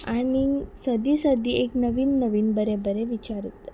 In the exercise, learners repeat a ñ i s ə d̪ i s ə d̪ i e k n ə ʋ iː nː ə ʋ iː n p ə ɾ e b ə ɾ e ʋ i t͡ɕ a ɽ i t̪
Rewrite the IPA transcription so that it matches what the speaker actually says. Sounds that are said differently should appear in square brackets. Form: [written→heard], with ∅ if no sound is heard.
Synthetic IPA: a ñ i s ə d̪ i s ə d̪ i e k n ə ʋ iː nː ə ʋ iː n [p→b] ə ɾ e b ə ɾ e ʋ i t͡ɕ a [ɽ→ɾ] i t̪